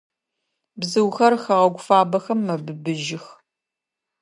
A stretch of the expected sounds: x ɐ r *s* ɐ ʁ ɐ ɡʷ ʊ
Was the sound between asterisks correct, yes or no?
no